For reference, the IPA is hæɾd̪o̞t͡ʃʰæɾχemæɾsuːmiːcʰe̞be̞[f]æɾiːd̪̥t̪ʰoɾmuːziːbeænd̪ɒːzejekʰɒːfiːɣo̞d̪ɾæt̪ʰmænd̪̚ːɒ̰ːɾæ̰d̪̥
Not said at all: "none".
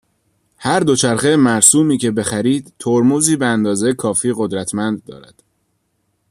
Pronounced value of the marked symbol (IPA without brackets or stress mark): x